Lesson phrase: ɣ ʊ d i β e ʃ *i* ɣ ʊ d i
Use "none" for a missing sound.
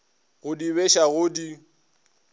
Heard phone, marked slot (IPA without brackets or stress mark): a